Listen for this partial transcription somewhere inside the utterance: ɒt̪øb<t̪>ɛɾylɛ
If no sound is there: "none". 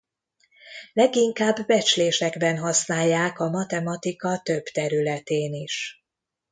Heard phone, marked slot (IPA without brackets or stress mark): t̪